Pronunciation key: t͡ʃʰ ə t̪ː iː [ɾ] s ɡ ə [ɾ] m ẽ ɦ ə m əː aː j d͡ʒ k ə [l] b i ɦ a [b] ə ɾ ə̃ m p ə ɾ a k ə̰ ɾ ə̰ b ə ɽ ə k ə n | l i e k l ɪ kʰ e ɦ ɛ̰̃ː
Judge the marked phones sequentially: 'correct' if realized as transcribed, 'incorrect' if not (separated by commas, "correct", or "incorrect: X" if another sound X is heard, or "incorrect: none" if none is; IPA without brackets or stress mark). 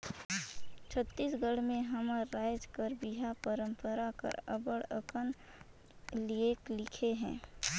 incorrect: none, incorrect: ɽ, incorrect: ɾ, incorrect: p